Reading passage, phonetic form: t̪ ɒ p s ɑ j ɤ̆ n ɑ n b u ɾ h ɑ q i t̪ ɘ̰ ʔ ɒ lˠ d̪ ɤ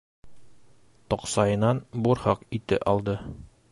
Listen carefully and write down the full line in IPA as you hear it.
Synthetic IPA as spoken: t̪ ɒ q s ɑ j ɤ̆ n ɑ n b u ɾ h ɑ q i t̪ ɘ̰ ʔ ɒ lˠ d̪ ɤ